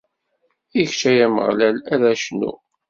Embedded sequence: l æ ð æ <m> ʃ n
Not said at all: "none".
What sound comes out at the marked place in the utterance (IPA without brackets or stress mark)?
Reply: none